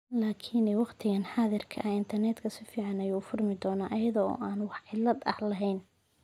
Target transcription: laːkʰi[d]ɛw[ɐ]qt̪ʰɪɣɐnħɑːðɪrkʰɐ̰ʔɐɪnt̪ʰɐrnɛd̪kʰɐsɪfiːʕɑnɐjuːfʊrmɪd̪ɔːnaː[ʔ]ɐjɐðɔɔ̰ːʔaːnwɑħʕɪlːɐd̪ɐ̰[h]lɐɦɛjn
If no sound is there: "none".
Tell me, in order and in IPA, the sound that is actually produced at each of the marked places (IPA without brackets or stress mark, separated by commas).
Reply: n, ɑ, ʔ, h